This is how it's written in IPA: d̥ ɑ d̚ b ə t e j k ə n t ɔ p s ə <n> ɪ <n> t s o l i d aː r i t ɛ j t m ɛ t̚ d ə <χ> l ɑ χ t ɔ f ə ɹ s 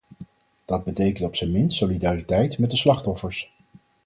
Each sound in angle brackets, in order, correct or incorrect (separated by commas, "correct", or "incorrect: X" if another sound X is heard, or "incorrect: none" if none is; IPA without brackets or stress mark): incorrect: m, correct, incorrect: s